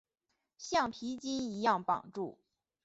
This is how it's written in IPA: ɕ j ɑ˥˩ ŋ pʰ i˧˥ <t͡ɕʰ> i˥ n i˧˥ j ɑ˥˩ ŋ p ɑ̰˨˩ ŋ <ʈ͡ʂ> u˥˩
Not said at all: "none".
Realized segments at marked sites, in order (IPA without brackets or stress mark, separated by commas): t͡ɕ, ʈ͡ʂ